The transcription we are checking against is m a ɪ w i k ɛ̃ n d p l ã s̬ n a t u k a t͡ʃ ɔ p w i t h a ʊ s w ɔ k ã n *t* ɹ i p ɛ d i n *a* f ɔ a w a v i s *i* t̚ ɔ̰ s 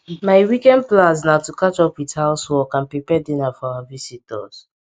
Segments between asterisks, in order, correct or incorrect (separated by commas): incorrect, correct, correct